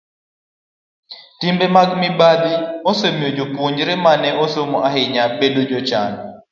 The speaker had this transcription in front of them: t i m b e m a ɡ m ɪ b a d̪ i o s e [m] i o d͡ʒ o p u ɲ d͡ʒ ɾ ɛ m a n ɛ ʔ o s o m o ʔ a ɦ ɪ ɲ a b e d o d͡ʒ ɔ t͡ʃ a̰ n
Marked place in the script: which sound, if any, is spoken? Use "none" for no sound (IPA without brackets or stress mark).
m